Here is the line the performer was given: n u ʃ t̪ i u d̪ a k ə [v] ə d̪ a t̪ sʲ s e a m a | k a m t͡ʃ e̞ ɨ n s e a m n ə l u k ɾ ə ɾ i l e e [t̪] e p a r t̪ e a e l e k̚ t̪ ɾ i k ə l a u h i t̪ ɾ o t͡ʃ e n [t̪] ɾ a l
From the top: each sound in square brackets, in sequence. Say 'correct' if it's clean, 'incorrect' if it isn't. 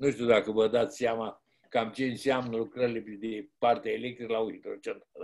correct, incorrect: d̪, correct

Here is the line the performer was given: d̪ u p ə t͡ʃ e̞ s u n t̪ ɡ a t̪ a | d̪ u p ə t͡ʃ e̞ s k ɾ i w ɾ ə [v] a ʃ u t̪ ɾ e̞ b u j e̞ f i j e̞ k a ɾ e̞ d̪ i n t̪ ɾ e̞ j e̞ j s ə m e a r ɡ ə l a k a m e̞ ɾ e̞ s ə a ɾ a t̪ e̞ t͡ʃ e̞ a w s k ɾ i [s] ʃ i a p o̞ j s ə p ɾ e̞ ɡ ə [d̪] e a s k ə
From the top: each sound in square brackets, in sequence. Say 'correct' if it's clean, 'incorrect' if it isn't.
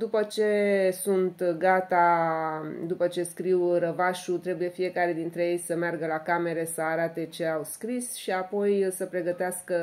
correct, correct, incorrect: t̪

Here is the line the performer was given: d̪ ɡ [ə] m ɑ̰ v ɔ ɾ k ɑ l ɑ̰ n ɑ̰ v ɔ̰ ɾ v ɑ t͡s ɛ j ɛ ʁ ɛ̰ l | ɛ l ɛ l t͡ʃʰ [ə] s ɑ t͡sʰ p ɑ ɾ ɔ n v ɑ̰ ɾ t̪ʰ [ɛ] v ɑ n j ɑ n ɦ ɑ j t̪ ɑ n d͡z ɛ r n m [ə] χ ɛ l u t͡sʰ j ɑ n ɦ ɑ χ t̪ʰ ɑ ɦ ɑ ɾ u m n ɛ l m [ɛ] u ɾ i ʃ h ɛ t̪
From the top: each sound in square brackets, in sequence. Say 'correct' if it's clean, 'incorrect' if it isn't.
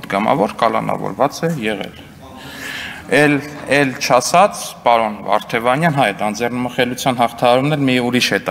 incorrect: ɑ, incorrect: ɑ, correct, correct, incorrect: i

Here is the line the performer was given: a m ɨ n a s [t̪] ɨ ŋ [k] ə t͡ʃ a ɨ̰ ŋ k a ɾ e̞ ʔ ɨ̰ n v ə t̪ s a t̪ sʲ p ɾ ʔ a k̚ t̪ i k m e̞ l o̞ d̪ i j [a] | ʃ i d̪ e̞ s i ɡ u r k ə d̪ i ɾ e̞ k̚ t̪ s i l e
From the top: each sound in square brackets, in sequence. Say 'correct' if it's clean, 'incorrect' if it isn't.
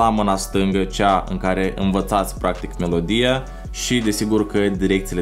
correct, incorrect: ɡ, correct

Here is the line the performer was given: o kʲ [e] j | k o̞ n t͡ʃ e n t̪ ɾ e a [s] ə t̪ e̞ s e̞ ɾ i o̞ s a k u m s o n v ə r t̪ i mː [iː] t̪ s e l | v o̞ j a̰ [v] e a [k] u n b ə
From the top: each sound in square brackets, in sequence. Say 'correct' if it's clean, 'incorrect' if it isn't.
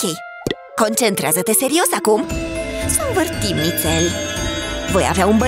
correct, incorrect: z, incorrect: i, correct, incorrect: none

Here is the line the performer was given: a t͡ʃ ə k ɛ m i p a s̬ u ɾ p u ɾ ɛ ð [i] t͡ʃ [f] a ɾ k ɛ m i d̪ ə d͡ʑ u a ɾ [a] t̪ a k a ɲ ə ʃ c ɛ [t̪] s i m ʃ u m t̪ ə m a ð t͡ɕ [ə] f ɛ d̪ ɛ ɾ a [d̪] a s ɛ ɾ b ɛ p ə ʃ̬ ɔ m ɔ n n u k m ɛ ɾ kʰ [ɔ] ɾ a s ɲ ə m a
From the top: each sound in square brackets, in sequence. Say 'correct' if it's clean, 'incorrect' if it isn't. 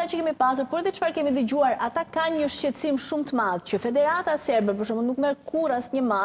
incorrect: ɛ, correct, correct, correct, correct, incorrect: t̪, incorrect: u

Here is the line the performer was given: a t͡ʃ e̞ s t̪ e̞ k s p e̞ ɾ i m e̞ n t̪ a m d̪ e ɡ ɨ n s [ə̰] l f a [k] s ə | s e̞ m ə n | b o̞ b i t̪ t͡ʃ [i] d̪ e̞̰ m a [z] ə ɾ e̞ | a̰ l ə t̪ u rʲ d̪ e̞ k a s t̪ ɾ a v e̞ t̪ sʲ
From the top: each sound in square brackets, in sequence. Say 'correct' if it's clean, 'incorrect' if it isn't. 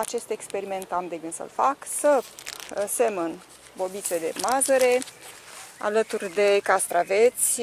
correct, correct, incorrect: e, correct

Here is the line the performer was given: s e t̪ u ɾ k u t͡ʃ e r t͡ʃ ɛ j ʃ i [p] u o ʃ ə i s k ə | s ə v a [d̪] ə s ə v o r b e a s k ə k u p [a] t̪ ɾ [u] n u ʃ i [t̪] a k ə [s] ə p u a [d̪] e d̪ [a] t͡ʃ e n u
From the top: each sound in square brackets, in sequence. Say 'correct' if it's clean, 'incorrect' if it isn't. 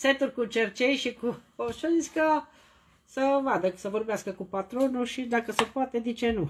incorrect: k, correct, correct, incorrect: o, incorrect: d̪, correct, incorrect: t̪, incorrect: i

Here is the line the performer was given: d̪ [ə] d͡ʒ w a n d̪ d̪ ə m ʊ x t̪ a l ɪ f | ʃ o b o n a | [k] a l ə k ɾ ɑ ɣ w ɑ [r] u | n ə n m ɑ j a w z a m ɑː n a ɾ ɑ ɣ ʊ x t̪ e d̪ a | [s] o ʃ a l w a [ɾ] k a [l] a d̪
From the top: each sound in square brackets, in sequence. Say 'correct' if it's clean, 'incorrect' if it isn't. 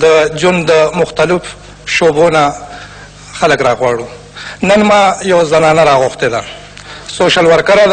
correct, incorrect: x, incorrect: ɽ, correct, correct, incorrect: ɾ

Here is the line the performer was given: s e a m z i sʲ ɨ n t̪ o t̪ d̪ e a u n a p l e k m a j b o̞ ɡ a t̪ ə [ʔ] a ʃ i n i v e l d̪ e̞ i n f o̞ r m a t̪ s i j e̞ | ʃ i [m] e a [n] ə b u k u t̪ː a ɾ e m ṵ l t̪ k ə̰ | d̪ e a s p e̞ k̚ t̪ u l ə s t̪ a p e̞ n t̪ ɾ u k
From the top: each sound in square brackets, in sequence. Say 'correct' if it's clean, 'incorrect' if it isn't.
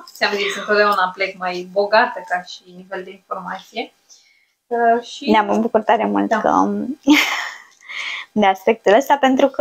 incorrect: k, incorrect: n, incorrect: m

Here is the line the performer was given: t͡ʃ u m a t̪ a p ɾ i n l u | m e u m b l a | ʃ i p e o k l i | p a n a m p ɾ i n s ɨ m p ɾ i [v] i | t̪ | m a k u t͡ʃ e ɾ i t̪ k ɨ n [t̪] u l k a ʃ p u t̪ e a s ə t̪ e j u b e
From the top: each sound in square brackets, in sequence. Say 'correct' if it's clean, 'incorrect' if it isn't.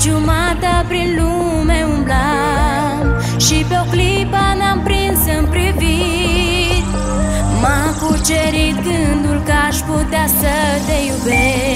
correct, incorrect: d̪

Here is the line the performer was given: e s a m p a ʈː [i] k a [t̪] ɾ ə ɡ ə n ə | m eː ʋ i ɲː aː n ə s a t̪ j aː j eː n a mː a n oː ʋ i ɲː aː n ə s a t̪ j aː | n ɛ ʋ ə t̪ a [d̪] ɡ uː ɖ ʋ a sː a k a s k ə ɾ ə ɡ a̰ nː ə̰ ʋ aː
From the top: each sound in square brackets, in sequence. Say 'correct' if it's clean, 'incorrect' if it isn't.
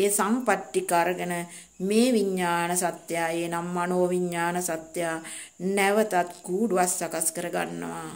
correct, incorrect: none, incorrect: t̪

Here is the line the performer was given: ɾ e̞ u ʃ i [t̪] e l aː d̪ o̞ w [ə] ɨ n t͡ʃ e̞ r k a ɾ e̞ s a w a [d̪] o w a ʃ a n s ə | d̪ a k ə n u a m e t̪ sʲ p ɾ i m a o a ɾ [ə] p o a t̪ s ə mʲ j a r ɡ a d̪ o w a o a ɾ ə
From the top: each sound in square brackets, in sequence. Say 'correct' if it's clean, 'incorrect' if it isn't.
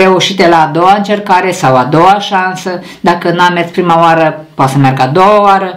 correct, incorrect: a, correct, correct

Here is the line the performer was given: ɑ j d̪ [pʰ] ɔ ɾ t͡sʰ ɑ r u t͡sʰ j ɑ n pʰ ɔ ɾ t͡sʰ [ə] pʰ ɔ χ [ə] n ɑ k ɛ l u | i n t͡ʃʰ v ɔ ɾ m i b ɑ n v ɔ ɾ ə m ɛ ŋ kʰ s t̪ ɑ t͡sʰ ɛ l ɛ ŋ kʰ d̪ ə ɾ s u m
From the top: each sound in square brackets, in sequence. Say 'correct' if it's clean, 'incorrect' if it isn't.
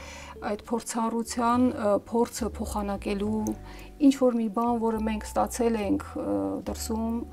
correct, correct, incorrect: ɑ

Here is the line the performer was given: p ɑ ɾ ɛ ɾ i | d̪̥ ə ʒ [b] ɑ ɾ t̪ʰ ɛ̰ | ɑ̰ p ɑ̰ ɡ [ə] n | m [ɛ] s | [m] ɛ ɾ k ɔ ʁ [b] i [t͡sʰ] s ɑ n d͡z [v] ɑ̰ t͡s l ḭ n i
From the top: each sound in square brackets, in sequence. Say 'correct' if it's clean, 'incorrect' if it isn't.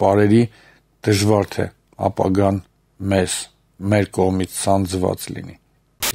incorrect: v, incorrect: ɑ, correct, correct, incorrect: m, correct, correct

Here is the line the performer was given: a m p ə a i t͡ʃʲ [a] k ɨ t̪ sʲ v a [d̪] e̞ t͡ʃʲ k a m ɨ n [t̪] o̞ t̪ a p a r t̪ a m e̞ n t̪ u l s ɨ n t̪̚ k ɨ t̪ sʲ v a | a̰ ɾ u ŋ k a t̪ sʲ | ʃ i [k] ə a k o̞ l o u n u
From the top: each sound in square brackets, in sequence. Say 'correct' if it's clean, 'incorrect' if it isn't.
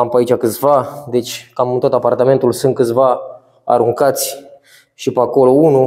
correct, correct, correct, incorrect: p

